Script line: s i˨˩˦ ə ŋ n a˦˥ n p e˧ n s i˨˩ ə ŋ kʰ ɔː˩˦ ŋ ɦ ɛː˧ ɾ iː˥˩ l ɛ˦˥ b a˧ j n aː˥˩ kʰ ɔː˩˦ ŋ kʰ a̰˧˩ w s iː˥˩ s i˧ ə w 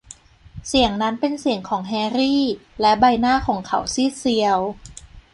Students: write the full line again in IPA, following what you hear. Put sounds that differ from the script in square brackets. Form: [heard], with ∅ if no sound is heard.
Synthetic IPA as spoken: s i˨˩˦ ə ŋ n a˦˥ n p e˧ n s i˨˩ ə ŋ kʰ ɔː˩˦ ŋ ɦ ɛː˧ ɾ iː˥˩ l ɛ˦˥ b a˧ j n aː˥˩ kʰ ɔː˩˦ ŋ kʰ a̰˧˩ w s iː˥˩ s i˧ ə w